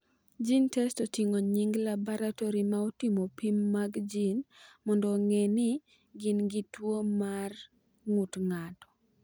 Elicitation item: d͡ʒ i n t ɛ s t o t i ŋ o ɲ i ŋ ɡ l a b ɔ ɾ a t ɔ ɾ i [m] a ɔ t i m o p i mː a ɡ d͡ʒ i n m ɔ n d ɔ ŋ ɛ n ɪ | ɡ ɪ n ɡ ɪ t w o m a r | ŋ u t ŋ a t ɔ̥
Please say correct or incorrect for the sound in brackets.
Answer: correct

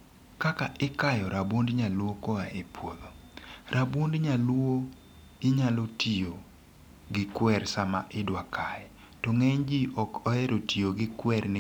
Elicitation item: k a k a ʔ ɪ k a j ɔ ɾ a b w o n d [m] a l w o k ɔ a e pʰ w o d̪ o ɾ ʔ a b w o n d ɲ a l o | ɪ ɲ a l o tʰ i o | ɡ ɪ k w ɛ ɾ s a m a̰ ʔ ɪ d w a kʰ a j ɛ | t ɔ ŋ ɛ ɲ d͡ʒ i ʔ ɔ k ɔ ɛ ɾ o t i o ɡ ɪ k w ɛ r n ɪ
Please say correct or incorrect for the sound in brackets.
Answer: incorrect: ɲ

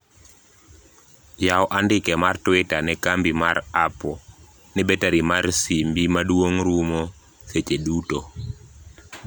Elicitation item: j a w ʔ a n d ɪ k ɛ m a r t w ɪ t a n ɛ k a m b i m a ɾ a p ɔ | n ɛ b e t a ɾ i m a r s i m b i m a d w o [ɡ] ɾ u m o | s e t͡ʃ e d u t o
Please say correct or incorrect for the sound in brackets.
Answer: incorrect: ŋ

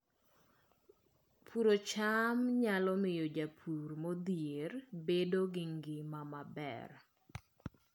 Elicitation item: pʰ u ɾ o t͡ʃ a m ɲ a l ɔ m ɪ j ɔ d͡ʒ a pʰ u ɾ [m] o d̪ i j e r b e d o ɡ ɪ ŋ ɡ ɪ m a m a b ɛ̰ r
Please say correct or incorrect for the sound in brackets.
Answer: correct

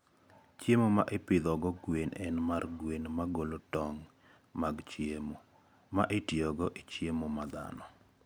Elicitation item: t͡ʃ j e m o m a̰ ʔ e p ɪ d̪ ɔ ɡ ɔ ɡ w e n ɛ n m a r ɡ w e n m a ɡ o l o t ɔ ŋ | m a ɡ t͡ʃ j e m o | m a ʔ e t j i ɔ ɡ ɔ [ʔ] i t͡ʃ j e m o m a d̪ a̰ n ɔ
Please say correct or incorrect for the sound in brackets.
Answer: correct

